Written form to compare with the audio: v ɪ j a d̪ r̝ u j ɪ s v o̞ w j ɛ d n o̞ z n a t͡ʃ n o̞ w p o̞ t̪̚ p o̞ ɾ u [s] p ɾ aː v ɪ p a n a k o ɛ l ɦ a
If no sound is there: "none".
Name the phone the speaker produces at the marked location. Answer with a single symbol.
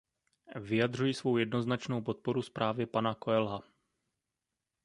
s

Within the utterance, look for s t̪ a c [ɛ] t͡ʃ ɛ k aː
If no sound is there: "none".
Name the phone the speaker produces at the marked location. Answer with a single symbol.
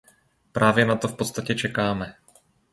ɛ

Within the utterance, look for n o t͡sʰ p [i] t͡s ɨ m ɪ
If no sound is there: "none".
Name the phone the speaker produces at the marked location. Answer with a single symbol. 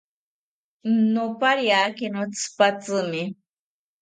a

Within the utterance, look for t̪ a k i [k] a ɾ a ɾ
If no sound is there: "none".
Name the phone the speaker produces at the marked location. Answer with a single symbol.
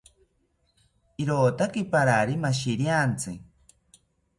p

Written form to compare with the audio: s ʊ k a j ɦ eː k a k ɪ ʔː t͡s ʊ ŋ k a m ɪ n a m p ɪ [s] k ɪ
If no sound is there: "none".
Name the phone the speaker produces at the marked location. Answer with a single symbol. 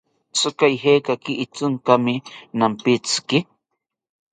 t͡s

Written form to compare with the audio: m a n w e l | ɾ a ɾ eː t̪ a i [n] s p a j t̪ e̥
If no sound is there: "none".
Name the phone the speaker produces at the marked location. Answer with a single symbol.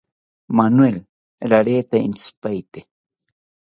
n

